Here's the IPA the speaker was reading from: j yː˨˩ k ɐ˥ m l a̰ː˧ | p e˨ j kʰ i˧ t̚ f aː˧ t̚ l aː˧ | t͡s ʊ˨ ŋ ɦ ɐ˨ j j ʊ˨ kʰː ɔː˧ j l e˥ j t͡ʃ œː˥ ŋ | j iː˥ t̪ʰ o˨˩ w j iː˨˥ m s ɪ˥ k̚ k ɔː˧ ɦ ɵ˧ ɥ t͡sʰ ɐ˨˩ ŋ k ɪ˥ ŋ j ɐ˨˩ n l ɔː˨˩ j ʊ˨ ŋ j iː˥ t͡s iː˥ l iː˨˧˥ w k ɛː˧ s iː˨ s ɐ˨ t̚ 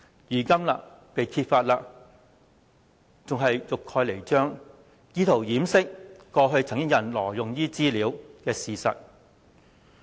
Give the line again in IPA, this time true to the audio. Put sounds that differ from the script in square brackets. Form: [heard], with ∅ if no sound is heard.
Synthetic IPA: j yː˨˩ k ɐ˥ m l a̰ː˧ | p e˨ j kʰ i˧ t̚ f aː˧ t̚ l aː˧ | t͡s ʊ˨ ŋ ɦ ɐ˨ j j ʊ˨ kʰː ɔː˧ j l [e˨˩] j t͡ʃ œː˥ ŋ | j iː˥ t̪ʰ o˨˩ w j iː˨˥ m s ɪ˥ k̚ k ɔː˧ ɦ ɵ˧ ɥ t͡sʰ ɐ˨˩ ŋ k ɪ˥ ŋ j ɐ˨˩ n l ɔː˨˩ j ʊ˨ ŋ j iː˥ t͡s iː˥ l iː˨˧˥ w k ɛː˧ s iː˨ s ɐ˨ t̚